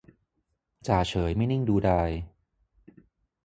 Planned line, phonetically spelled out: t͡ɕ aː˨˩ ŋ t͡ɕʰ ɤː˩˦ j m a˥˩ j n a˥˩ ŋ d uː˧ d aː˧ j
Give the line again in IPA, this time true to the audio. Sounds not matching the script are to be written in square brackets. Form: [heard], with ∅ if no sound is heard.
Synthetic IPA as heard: t͡ɕ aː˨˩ [∅] t͡ɕʰ ɤː˩˦ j m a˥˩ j n [i˥˩] ŋ d uː˧ d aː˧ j